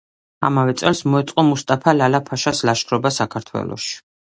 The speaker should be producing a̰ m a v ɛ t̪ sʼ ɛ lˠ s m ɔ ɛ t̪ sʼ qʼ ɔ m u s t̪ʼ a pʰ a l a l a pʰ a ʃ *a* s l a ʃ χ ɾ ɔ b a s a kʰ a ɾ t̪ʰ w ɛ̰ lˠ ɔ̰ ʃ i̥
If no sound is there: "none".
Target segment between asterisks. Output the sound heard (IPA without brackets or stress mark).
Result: a